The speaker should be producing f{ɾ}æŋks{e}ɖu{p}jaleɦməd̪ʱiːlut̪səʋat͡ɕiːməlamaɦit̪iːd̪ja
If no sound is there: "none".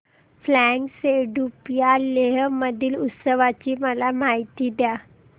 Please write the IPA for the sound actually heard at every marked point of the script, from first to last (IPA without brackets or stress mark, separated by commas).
l, e, p